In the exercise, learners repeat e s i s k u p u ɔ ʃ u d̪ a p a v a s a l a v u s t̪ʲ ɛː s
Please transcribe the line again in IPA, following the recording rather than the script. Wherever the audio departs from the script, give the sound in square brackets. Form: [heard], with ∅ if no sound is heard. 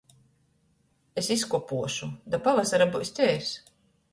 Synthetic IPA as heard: e s i s k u p u ɔ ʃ u d̪ a p a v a s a [ɾ] a [b] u s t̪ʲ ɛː s